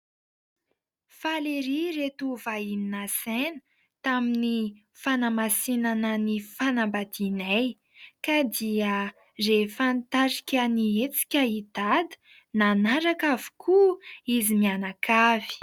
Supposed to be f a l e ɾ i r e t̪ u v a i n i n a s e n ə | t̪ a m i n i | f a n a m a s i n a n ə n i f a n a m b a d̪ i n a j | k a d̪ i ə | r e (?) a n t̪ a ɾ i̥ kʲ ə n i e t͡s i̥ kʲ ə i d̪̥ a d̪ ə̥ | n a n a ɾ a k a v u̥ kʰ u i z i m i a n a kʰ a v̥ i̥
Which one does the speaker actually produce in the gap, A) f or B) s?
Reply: A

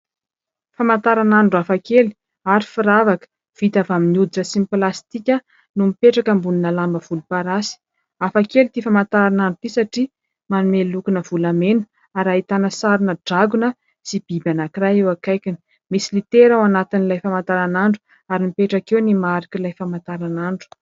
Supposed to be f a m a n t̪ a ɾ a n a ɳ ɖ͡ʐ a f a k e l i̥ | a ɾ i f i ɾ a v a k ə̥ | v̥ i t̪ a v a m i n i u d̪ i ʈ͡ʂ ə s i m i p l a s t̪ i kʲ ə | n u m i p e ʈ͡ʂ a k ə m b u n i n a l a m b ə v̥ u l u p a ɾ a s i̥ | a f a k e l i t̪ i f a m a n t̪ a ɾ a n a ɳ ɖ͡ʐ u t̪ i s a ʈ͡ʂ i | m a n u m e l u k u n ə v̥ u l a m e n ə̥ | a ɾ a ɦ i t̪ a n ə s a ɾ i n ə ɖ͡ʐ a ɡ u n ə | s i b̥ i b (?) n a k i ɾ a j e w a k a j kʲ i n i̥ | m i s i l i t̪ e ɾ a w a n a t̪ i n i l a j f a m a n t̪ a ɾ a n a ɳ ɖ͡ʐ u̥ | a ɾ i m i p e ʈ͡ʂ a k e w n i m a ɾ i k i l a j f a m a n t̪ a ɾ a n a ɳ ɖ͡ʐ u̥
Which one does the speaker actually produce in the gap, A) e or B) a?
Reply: B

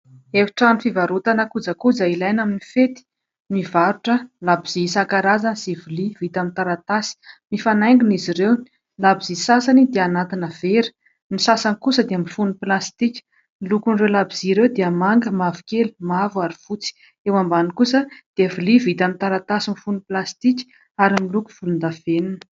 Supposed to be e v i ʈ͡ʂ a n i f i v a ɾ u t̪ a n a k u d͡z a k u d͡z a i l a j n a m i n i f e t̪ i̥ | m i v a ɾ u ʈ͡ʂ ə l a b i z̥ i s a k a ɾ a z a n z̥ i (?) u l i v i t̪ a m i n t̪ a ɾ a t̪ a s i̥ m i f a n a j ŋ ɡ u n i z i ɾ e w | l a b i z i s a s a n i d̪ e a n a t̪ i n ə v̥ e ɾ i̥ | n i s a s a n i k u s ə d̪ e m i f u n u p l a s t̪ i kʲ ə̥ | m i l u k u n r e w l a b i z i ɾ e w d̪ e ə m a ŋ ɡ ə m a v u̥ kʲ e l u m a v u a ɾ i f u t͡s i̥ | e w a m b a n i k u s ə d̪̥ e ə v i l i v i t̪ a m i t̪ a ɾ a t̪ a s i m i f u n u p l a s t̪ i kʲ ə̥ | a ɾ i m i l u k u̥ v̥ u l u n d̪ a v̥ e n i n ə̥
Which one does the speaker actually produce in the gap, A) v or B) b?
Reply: A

